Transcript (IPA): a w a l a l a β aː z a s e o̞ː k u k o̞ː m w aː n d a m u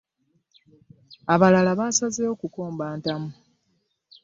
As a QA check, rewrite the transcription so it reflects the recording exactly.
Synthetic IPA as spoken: a β a l a l a β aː s a z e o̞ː k u k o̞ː m b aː n t a m u